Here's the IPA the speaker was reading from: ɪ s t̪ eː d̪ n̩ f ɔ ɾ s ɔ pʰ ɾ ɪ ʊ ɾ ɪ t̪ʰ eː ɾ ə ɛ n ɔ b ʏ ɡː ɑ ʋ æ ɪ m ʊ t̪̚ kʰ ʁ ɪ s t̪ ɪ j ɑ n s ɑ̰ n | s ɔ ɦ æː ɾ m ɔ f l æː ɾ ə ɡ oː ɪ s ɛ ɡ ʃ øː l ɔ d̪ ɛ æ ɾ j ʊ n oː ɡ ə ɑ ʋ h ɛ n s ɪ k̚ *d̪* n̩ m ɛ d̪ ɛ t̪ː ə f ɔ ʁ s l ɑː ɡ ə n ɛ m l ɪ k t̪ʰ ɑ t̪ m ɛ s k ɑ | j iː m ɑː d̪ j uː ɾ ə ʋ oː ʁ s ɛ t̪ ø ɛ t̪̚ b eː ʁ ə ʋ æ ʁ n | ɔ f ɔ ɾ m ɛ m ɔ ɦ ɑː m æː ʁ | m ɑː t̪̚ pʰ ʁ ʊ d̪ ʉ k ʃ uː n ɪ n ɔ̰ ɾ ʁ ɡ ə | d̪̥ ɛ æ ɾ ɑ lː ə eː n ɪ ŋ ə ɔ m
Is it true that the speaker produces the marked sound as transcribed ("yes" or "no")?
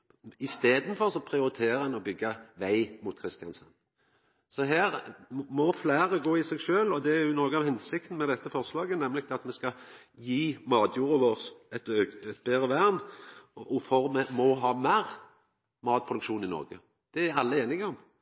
no